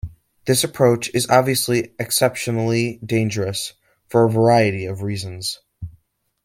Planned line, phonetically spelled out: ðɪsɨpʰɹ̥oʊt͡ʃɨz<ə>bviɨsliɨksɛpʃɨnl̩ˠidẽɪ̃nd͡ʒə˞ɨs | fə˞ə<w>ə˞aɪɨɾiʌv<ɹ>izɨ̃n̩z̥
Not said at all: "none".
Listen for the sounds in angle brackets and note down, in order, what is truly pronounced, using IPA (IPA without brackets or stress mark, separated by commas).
ɑ, v, ɹ